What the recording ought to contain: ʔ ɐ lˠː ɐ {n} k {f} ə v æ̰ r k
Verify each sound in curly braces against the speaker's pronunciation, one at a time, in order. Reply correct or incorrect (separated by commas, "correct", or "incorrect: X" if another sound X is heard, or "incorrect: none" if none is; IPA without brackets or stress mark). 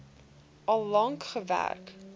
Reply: incorrect: ŋ, incorrect: χ